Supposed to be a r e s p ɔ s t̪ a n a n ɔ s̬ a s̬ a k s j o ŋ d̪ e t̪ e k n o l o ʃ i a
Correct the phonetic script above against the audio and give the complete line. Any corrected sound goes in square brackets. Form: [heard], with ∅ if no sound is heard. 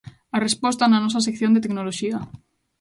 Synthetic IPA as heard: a r e s p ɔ s t̪ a n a n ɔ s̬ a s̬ [e] k [θ] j o [n] d̪ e t̪ e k n o l o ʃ i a